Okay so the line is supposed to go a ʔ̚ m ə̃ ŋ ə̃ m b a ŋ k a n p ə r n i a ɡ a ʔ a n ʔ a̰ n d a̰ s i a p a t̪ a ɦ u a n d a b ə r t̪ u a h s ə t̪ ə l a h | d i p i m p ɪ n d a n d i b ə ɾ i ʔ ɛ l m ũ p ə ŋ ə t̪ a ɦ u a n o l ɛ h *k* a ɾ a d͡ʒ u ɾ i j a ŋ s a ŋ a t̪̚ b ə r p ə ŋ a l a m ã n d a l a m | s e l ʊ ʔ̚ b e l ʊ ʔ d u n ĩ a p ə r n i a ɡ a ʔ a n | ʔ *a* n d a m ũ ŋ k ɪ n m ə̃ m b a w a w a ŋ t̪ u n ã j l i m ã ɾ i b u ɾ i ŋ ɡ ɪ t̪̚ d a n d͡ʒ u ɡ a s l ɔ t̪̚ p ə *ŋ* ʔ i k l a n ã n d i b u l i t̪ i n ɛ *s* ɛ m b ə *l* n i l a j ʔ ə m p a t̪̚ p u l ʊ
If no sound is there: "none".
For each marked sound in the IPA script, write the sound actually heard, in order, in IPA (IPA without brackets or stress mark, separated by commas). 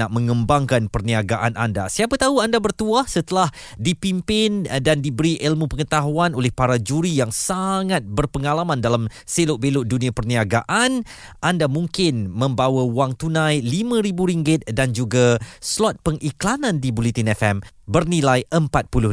p, a, ŋ, f, r